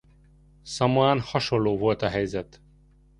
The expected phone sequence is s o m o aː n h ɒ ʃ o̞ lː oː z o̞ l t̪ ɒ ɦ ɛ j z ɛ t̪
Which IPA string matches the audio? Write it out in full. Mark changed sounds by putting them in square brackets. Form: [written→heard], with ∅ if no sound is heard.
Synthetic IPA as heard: s [o→ɒ] m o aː n h ɒ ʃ o̞ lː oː [z→v] o̞ l t̪ ɒ ɦ ɛ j z ɛ t̪